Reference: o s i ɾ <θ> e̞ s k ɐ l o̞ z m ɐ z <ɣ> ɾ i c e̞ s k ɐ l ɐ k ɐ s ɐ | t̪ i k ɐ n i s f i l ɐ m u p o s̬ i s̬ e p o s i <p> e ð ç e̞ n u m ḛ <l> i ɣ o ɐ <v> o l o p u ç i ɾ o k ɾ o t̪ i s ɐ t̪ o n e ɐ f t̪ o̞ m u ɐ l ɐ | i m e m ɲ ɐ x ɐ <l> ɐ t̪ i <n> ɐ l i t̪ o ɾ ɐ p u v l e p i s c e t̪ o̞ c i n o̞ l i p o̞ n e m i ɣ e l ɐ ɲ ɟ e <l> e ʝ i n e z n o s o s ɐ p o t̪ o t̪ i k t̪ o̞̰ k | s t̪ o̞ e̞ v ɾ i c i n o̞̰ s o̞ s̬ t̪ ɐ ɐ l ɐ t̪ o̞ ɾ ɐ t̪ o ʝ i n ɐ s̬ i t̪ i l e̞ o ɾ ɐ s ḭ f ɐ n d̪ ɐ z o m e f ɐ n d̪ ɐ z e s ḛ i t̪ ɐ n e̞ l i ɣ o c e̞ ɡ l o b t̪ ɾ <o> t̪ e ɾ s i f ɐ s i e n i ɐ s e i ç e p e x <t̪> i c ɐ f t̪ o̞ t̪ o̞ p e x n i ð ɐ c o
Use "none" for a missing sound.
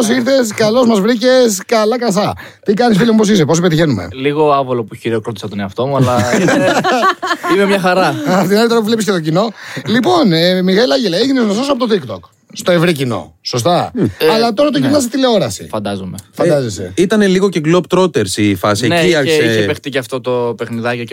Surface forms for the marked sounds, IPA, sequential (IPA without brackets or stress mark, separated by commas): θ, v, p, l, v, ɾ, n, l, o, t̪